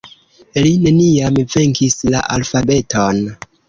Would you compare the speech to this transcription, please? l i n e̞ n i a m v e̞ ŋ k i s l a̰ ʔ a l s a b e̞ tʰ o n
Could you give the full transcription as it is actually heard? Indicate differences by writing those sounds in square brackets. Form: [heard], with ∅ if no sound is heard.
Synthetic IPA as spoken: l i n e̞ n i a m v e̞ ŋ k i s l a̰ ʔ a l [f] a b e̞ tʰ o n